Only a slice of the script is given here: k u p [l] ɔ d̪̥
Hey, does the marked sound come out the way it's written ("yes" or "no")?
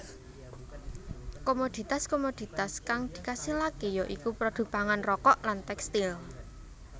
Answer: no